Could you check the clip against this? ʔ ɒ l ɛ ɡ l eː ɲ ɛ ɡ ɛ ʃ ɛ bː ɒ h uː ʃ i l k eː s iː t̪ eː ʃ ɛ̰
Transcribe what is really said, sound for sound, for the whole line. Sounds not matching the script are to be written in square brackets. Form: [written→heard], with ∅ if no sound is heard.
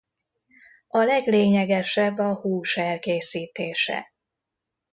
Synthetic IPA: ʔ ɒ l ɛ ɡ l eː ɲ ɛ ɡ ɛ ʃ ɛ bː ɒ h uː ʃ [i→ɛ] l k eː s iː t̪ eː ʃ ɛ̰